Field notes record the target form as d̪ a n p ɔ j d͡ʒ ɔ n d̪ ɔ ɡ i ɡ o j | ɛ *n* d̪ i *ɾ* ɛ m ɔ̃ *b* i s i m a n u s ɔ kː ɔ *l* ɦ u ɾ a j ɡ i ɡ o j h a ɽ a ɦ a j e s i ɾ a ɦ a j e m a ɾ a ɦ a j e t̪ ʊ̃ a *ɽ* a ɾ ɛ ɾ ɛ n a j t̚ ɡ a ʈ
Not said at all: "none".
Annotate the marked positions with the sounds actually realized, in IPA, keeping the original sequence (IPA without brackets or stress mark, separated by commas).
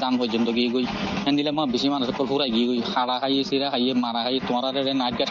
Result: n, l, b, l, ɾ